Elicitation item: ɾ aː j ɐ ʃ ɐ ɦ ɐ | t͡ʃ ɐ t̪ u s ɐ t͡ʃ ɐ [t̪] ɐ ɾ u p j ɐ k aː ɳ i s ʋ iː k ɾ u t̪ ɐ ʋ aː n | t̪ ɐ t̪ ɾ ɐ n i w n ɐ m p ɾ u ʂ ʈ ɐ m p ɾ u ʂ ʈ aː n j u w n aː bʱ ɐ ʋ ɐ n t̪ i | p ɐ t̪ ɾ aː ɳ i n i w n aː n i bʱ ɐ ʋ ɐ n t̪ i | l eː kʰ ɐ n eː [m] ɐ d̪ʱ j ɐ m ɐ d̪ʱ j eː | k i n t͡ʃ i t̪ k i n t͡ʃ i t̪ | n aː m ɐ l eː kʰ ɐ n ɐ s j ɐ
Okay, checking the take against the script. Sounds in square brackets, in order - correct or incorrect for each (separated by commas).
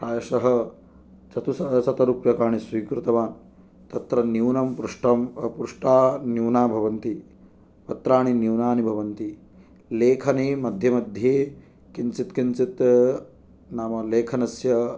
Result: correct, correct